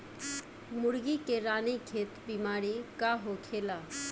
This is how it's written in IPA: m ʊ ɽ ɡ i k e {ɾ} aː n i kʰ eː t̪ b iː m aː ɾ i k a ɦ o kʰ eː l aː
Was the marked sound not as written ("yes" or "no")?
no